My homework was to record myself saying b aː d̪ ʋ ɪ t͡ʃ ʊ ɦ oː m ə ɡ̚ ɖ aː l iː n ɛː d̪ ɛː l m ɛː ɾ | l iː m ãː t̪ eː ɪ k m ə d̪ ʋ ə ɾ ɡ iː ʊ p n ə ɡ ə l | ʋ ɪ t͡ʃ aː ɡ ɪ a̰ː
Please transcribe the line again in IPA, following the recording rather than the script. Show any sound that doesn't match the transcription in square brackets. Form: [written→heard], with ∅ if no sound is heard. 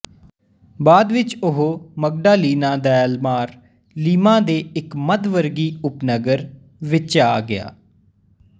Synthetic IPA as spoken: b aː d̪ ʋ ɪ t͡ʃ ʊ ɦ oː m ə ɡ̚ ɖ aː l iː n [ɛː→aː] d̪ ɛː l m [ɛː→aː] ɾ | l iː m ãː [t̪→d̪] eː ɪ k m ə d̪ ʋ ə ɾ ɡ iː ʊ p n ə ɡ ə [l→ɾ] | ʋ ɪ t͡ʃ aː ɡ ɪ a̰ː